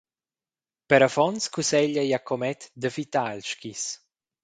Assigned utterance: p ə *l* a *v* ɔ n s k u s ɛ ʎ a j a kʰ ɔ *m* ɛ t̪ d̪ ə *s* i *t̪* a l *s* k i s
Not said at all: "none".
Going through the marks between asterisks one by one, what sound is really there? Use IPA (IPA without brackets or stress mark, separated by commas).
ɾ, f, m, f, t̪, ʃ